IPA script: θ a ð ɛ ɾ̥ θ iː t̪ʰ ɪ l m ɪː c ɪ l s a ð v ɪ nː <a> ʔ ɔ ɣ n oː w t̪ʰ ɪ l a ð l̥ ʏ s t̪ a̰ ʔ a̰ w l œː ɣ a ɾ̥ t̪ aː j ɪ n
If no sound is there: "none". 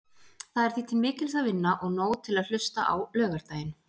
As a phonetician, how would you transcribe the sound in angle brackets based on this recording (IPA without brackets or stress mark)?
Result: a